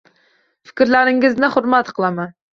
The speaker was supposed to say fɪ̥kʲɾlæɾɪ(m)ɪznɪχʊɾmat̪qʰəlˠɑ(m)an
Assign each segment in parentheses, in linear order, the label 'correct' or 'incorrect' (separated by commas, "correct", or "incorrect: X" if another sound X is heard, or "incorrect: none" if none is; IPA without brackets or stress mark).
incorrect: ŋ, correct